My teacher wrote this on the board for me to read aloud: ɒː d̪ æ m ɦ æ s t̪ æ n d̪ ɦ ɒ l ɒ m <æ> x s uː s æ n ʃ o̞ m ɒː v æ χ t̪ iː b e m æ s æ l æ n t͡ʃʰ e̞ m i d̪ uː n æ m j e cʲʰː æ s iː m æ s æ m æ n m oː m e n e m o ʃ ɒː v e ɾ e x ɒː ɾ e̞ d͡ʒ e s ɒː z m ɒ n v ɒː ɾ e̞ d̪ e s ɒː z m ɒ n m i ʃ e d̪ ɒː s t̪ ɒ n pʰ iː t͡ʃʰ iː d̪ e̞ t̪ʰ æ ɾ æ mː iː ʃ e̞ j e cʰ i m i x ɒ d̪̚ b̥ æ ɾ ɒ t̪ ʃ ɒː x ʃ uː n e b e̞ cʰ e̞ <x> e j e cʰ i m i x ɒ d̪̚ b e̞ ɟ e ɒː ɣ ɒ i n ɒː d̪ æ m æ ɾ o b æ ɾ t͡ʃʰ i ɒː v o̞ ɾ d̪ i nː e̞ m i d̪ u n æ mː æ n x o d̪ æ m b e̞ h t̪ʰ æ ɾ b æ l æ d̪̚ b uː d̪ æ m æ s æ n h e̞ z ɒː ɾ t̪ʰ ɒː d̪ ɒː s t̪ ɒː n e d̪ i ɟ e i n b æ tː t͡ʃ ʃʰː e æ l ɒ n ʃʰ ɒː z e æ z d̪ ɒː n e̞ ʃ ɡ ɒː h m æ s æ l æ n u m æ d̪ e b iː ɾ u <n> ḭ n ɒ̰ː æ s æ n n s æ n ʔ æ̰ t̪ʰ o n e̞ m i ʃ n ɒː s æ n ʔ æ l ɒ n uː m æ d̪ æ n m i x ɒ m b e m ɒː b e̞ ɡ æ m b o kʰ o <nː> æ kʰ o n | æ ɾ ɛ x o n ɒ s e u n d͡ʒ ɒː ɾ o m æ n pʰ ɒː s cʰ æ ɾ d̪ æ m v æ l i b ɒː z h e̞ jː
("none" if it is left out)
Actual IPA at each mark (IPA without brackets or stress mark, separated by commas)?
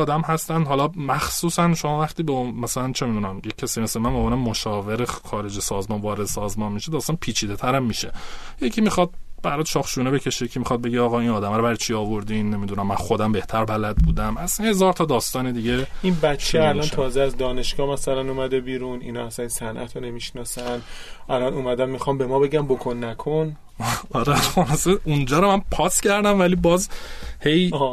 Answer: æ, ʃ, n, nː